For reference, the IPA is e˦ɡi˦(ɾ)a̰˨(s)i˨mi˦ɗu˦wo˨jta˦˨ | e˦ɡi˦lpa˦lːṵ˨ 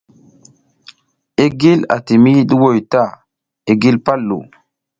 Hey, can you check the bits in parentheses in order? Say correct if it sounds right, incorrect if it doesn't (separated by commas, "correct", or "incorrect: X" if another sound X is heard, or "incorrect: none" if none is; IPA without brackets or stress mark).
incorrect: l, incorrect: t